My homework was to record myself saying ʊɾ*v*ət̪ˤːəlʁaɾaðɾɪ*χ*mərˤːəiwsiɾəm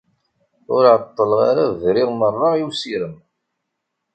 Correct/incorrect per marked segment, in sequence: incorrect, incorrect

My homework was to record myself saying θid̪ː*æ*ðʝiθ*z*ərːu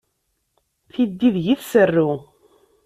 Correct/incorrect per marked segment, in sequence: incorrect, incorrect

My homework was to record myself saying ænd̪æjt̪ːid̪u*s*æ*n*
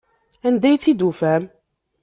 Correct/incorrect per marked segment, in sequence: incorrect, incorrect

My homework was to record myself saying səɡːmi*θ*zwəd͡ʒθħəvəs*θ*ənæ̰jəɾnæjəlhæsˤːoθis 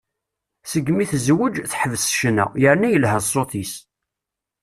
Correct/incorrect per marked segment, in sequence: correct, incorrect

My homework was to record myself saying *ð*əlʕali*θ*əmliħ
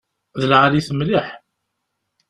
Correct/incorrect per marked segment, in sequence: correct, correct

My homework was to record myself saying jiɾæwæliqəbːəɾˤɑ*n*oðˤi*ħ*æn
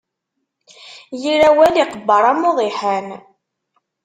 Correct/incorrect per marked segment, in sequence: incorrect, correct

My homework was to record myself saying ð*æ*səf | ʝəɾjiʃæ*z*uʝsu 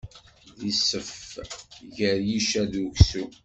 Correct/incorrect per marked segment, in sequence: incorrect, incorrect

